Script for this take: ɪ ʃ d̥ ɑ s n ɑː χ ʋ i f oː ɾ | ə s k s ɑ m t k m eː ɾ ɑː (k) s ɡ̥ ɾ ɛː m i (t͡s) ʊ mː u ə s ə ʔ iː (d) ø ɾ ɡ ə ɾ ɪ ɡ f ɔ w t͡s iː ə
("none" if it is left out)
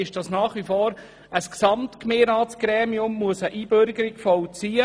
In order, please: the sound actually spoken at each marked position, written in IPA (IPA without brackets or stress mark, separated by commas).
t, none, b